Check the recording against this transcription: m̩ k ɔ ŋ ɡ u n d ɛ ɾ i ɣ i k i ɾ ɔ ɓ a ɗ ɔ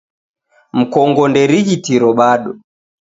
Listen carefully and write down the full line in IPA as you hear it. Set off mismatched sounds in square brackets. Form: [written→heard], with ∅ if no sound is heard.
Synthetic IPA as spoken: m̩ k ɔ ŋ ɡ [u→ɔ] n d ɛ ɾ i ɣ i [k→t] i ɾ ɔ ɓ a ɗ ɔ